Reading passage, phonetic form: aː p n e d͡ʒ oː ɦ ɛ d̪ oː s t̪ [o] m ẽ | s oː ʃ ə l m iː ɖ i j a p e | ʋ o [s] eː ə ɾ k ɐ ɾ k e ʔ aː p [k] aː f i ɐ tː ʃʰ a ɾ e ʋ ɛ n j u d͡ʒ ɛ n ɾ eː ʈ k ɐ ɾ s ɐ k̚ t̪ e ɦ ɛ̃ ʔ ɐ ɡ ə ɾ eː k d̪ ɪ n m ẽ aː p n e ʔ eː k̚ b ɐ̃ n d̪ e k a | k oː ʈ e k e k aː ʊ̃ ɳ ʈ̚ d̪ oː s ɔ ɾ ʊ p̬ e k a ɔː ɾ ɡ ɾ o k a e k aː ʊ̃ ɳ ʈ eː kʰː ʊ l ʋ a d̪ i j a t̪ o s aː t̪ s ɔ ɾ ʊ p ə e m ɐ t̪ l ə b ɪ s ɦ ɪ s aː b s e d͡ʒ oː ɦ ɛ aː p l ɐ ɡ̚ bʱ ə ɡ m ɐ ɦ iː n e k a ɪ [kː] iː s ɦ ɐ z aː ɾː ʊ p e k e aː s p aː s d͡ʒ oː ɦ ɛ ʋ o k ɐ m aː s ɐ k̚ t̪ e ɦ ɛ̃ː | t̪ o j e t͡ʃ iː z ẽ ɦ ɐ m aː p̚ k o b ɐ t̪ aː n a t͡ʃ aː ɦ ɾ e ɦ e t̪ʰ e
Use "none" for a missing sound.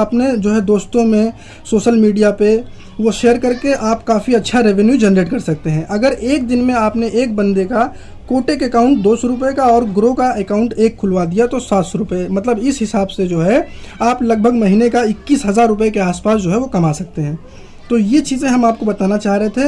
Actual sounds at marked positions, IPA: õ, ʃ, k, kː

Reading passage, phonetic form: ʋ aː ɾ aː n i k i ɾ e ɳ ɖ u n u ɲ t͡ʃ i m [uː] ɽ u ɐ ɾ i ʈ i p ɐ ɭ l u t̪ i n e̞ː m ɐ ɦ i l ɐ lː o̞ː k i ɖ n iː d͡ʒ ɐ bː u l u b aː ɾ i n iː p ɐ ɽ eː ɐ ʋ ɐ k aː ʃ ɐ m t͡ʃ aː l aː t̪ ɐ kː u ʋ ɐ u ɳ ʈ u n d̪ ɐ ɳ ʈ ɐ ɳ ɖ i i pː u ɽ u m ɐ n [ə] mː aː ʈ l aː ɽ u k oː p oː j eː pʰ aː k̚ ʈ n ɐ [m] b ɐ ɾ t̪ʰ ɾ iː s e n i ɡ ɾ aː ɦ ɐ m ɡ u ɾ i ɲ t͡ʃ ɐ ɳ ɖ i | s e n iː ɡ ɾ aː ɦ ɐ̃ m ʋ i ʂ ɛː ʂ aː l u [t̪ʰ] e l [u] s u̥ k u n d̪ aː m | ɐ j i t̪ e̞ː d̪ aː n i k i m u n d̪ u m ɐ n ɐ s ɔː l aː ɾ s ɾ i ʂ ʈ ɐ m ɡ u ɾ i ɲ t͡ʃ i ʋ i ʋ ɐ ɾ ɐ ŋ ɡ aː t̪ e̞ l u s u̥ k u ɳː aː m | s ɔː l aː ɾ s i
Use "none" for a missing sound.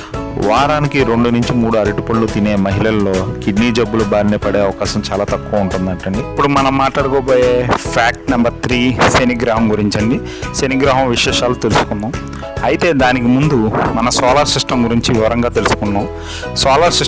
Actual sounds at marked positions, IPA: uː, ɐ, m, t̪, u

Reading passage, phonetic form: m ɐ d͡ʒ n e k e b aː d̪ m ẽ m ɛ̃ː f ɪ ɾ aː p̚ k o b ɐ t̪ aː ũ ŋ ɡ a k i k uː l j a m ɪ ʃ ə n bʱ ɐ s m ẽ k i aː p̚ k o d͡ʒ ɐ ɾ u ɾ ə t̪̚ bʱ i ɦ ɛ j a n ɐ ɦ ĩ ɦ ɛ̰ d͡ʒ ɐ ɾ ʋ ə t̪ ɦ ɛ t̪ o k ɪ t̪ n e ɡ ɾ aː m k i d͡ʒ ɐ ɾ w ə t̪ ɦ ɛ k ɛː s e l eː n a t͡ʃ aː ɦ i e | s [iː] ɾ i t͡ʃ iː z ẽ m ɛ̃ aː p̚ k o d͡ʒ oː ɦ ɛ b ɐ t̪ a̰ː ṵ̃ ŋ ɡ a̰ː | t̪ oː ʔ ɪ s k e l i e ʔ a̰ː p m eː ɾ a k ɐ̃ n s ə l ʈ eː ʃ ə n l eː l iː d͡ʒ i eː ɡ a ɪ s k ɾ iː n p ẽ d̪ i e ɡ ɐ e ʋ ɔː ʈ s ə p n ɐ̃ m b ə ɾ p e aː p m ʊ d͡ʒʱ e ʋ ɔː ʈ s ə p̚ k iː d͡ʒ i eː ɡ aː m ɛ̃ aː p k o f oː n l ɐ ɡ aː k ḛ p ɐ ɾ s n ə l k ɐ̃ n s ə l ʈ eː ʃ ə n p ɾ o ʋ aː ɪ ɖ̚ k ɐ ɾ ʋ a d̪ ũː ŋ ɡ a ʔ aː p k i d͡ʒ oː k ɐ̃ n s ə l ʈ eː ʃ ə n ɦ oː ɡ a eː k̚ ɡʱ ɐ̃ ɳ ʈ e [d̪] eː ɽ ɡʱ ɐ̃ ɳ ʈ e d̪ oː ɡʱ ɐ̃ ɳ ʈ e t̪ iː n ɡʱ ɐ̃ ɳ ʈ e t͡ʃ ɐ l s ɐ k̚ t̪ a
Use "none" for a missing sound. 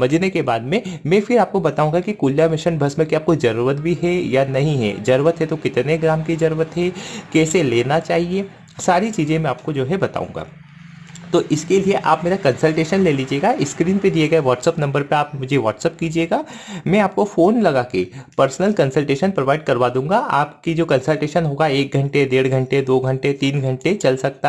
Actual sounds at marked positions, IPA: aː, d̪

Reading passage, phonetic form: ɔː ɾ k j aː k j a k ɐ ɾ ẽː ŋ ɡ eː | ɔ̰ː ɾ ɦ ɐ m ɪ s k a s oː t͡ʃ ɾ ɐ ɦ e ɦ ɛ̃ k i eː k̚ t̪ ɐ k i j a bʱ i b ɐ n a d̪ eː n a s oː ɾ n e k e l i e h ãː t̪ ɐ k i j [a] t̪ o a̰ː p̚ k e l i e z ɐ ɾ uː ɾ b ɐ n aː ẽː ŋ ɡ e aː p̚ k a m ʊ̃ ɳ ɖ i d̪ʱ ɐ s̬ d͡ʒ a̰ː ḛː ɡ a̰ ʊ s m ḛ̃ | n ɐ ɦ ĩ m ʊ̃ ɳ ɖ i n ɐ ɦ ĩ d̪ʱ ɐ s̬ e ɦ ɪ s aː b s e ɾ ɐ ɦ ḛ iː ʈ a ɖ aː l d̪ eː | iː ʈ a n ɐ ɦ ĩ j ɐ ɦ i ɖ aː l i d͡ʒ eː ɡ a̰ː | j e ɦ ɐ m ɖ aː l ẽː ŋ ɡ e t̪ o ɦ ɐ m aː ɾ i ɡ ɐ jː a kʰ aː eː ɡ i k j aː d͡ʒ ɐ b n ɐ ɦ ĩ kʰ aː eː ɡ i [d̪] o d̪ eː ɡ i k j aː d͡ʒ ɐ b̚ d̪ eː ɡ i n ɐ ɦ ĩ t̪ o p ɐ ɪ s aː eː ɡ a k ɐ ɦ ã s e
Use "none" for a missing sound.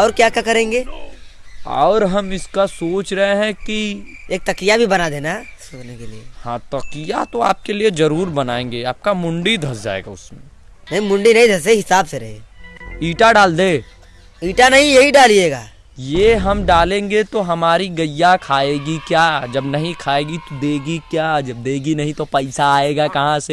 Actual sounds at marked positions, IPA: a, t̪

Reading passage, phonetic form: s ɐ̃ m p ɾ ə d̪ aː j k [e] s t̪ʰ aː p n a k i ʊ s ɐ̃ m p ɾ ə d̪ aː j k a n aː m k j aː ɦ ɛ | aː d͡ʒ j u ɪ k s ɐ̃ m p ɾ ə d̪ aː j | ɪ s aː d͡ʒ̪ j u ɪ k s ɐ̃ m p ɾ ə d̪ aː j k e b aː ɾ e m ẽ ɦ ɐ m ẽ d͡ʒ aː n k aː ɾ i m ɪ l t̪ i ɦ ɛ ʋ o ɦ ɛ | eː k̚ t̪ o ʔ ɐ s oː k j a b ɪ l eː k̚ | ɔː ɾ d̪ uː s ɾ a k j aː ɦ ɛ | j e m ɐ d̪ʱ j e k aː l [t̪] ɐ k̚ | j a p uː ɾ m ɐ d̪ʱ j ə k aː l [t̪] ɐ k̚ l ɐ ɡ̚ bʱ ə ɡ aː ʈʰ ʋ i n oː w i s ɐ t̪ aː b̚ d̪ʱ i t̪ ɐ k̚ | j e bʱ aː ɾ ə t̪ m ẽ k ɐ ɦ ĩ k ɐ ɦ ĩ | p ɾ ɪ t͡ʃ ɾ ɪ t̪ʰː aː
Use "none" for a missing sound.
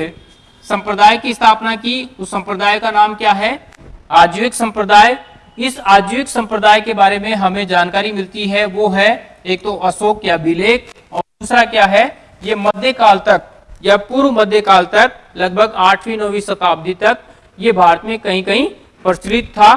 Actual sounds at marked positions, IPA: i, t̪, t̪

